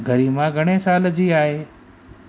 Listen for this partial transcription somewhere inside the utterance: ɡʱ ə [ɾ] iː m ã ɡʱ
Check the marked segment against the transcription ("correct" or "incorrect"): correct